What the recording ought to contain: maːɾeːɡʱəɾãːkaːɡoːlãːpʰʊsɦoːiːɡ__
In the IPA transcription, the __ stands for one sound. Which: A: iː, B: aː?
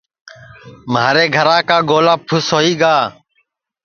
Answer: B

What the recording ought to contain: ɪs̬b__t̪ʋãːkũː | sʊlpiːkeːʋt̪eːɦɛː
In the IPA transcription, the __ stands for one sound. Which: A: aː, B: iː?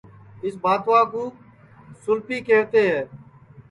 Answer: A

